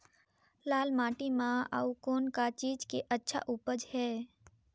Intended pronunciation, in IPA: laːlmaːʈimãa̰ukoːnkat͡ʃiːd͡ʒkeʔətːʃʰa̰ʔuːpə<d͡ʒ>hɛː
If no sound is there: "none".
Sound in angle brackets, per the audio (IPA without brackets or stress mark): d͡ʒ